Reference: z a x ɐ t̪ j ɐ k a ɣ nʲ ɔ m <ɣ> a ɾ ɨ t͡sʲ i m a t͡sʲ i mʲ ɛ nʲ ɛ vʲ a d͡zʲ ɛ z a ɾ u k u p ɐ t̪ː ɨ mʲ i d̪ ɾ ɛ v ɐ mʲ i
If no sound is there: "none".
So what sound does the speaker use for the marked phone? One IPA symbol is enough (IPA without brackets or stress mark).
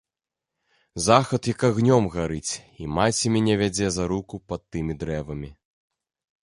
ɣ